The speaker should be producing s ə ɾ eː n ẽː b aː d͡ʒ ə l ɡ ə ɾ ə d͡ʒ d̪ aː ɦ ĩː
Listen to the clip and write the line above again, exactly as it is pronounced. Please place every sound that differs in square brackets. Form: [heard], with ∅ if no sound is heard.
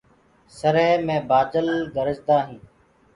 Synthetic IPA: s ə ɾ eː [m] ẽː b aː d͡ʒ ə l ɡ ə ɾ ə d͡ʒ d̪ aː ɦ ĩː